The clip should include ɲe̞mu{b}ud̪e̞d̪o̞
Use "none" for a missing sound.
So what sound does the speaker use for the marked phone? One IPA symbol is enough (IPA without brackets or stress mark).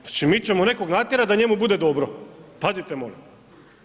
b